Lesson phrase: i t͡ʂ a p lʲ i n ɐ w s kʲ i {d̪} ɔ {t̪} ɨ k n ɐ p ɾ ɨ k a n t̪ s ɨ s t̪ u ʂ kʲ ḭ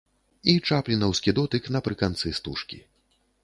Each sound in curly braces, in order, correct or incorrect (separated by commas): correct, correct